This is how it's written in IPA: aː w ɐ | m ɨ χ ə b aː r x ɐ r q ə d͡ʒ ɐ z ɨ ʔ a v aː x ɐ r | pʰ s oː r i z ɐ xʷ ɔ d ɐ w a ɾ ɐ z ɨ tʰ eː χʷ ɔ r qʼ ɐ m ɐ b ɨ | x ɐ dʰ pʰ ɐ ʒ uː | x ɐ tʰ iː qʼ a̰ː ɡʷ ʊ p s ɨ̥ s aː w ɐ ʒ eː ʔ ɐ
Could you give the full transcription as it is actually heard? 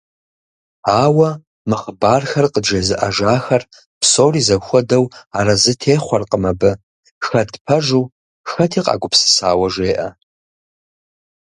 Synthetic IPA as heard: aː w ɐ | m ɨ χ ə b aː r x ɐ r q ə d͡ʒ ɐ z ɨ ʔ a ʒ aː x ɐ r | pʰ s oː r i z ɐ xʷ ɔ d ɐ w a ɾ ɐ z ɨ tʰ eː χʷ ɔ r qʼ ə m ɐ b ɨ | x ɐ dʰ pʰ ɐ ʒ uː | x ɐ tʰ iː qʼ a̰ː ɡʷ ʊ p s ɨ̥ s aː w ɐ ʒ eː ʔ ɐ